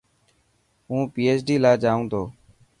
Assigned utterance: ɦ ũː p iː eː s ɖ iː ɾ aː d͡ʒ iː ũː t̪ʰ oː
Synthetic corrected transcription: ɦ ũː p iː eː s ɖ iː l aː d͡ʒ aː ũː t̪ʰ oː